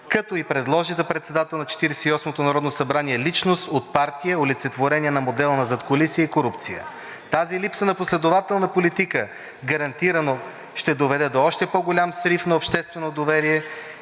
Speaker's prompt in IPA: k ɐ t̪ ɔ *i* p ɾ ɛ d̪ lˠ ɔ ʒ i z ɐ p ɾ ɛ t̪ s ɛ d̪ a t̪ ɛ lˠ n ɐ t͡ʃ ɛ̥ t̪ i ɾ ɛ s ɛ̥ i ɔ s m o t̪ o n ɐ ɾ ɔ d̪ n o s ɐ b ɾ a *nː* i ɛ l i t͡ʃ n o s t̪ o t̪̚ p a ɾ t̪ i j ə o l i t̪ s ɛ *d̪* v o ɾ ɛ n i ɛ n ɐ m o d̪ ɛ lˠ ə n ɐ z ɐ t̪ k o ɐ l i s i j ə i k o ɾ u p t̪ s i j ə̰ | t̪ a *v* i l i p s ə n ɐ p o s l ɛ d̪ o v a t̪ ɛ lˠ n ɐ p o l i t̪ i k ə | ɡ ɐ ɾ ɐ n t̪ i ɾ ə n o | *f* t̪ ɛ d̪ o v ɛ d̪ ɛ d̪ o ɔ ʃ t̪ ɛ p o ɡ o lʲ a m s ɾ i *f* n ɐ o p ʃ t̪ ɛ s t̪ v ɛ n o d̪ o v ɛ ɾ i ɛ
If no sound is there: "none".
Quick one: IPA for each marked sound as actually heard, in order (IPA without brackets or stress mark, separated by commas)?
i, n, t̪, z, ʃ, f